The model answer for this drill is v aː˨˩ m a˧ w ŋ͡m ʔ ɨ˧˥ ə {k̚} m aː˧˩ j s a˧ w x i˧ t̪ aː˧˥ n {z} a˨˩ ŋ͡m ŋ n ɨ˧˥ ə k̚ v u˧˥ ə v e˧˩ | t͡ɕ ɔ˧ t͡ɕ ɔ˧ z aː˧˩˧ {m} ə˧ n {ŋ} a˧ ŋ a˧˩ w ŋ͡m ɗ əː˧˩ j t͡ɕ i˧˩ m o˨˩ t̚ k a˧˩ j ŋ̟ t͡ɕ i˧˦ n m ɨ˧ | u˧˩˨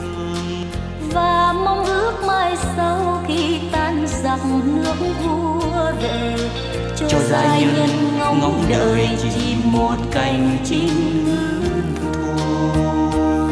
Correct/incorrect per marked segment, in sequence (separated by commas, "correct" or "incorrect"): correct, correct, incorrect, correct